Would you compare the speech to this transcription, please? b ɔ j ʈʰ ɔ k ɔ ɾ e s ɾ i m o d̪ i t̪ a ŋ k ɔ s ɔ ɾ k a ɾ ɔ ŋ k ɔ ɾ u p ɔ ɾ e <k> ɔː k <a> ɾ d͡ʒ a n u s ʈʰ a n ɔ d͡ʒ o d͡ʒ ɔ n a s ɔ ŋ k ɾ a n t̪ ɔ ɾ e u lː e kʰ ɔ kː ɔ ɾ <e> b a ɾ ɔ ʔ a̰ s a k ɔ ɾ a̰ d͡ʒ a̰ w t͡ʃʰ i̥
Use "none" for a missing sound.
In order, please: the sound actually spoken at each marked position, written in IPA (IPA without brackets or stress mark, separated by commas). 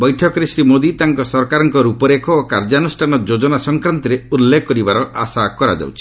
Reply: kʰ, a, i